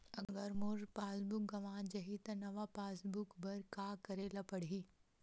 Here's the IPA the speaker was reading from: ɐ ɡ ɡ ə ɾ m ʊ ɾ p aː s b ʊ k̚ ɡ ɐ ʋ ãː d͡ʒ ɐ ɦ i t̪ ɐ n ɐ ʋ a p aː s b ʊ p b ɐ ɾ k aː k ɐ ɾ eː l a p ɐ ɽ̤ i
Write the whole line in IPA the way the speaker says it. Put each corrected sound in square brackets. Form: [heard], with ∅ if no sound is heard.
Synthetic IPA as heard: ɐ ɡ ɡ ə ɾ m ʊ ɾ p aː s b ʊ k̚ ɡ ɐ ʋ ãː d͡ʒ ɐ ɦ i t̪ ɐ n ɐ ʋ a p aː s b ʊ [k] b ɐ ɾ k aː k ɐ ɾ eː l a p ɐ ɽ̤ i